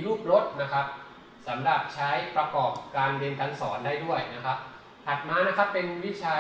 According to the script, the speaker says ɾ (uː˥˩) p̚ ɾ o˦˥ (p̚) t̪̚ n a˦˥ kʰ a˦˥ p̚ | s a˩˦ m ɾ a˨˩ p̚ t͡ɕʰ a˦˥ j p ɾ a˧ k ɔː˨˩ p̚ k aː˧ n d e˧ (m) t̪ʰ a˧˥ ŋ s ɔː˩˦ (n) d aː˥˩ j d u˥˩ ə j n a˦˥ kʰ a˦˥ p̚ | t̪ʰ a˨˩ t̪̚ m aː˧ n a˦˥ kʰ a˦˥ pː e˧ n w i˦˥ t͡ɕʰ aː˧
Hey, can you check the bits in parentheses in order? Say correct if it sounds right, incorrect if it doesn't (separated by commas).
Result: correct, incorrect, incorrect, correct